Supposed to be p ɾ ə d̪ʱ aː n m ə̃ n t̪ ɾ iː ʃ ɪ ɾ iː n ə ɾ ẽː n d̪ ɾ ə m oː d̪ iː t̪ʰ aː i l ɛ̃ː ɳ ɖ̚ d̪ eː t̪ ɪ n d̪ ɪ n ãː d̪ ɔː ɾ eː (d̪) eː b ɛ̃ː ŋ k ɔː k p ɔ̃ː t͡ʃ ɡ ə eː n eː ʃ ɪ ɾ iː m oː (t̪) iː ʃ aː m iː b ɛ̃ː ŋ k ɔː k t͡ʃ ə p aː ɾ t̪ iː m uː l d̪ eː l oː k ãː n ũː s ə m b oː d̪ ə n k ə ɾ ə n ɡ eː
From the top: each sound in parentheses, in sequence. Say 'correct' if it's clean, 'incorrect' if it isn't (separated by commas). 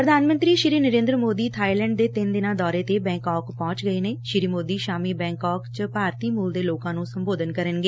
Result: incorrect, incorrect